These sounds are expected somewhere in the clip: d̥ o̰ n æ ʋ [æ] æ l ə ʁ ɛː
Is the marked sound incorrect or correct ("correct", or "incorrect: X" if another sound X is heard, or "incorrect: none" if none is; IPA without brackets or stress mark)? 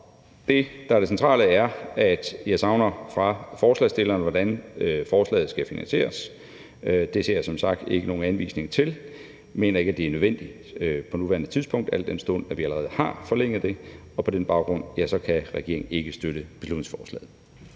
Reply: incorrect: i